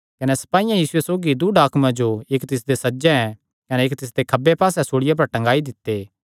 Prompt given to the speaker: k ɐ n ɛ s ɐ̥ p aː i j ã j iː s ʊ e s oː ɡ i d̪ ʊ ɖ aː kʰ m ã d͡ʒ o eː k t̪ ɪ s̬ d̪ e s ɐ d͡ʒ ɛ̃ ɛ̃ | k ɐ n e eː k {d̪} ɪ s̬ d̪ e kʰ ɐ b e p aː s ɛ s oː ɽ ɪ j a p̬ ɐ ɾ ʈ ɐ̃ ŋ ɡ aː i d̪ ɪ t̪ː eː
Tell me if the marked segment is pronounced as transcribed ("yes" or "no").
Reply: no